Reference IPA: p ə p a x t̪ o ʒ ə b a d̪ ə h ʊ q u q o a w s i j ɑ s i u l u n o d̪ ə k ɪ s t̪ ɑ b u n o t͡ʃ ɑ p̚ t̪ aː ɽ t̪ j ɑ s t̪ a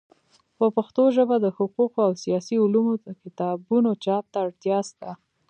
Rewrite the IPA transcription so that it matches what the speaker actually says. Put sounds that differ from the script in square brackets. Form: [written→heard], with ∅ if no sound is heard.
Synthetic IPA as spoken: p ə p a x t̪ o ʒ ə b a d̪ ə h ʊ q u q o a w s i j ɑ s i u l u [n→m] o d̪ ə k ɪ [s→∅] t̪ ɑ b u n o t͡ʃ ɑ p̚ t̪ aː ɽ t̪ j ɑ s t̪ a